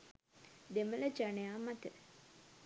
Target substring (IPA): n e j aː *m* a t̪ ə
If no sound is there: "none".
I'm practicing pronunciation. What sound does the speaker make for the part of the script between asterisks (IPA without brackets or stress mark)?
m